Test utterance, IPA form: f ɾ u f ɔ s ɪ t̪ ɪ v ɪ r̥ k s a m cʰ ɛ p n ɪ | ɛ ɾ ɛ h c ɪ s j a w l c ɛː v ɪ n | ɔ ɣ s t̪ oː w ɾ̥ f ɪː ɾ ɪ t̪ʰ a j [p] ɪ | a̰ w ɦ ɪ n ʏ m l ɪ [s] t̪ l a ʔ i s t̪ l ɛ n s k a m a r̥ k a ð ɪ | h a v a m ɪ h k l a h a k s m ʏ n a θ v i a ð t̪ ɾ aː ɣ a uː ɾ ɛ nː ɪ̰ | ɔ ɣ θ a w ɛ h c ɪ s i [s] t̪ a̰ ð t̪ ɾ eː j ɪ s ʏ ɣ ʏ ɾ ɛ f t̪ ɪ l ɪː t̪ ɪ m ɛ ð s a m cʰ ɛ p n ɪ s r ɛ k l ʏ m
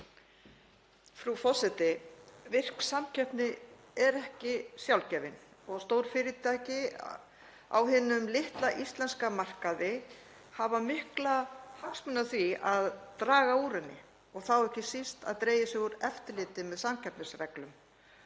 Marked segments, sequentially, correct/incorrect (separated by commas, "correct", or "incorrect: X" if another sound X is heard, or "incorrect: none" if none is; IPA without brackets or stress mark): incorrect: c, incorrect: h, correct